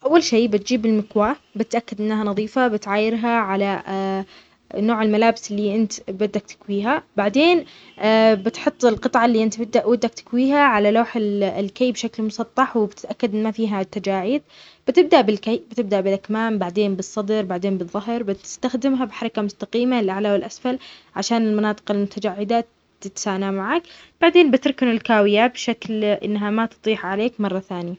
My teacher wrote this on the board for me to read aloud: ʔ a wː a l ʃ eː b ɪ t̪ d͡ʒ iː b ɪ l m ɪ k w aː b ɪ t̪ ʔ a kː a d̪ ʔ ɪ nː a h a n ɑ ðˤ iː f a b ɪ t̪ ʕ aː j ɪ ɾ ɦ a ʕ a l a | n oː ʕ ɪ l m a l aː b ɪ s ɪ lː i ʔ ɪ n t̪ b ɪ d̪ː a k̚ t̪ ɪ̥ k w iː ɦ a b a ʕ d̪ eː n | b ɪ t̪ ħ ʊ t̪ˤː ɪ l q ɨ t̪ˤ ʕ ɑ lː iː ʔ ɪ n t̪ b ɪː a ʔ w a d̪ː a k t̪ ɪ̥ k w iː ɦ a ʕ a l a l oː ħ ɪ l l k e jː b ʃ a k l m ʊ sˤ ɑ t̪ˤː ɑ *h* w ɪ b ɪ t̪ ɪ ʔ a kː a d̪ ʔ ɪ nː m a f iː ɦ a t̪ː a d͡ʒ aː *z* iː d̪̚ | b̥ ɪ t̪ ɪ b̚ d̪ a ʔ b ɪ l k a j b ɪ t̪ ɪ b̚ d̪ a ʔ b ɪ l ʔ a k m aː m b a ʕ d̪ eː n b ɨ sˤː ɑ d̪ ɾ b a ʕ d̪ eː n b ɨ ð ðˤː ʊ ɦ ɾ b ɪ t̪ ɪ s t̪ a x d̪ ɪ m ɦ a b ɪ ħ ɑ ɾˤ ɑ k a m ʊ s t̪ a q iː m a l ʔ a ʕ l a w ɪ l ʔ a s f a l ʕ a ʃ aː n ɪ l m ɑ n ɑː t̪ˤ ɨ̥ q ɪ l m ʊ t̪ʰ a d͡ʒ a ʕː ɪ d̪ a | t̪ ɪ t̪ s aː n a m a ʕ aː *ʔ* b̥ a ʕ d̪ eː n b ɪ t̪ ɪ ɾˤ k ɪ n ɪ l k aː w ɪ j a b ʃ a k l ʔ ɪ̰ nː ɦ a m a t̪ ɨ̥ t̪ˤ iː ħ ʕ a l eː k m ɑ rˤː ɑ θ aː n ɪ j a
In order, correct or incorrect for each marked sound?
incorrect, incorrect, incorrect

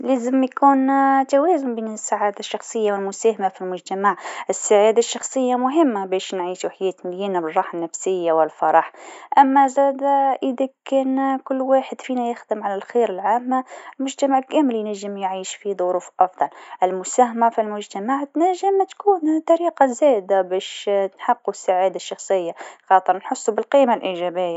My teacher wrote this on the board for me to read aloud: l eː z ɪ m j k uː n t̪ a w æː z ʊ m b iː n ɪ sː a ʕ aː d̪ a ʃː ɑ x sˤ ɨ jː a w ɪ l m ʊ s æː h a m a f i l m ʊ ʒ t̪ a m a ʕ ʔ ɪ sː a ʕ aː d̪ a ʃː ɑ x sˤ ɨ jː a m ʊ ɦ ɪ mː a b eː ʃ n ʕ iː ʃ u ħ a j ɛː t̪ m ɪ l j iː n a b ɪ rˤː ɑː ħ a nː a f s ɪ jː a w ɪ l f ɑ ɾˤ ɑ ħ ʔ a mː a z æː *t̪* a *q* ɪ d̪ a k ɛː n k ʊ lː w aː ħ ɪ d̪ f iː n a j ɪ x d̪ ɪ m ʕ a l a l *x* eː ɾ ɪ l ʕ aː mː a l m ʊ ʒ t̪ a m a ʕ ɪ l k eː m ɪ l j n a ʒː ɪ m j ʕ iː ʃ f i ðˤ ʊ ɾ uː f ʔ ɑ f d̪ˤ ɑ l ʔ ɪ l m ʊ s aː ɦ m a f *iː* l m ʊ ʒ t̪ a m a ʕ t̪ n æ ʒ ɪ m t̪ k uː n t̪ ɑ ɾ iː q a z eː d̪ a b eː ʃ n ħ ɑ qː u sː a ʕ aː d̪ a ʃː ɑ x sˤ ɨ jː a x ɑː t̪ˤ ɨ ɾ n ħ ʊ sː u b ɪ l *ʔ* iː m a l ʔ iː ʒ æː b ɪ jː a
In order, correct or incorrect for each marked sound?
incorrect, incorrect, correct, incorrect, incorrect

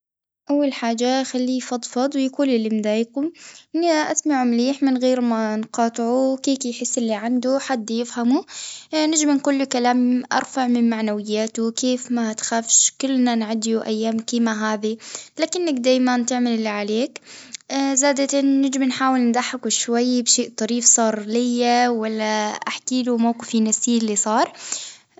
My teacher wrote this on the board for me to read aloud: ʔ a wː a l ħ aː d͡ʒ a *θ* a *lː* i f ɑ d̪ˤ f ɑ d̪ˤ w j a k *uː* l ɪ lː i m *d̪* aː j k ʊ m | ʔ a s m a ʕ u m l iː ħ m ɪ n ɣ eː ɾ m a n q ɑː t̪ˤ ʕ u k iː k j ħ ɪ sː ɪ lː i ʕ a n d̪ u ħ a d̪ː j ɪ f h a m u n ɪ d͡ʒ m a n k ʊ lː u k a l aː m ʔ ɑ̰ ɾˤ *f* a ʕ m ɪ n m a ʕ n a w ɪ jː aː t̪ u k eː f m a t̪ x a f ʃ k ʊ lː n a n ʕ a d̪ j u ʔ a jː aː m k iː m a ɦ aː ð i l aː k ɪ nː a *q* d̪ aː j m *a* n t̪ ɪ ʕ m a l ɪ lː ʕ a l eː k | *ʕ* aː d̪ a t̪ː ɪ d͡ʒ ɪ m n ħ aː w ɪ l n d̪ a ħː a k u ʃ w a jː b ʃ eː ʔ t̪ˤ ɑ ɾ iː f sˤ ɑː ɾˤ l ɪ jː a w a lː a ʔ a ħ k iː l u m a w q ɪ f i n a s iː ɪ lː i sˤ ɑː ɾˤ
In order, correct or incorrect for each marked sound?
incorrect, correct, correct, correct, correct, incorrect, correct, incorrect

